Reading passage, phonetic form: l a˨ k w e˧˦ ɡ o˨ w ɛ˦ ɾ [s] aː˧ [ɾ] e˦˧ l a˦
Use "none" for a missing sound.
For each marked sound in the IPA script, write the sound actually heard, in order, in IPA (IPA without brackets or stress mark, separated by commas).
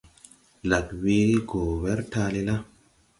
t, l